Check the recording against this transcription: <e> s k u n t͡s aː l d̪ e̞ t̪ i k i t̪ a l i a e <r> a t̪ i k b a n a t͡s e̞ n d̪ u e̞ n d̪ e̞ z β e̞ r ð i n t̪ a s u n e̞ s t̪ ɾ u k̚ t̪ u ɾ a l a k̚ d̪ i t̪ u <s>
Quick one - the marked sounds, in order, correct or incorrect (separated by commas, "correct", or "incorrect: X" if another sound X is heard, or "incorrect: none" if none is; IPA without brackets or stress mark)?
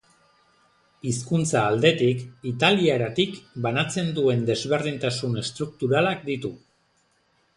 incorrect: i, incorrect: ɾ, incorrect: none